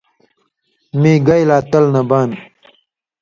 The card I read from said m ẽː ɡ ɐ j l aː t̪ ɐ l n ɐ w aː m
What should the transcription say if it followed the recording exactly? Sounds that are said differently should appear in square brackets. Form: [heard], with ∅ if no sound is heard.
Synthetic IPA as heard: m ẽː ɡ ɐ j l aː t̪ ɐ l n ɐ [b] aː [n]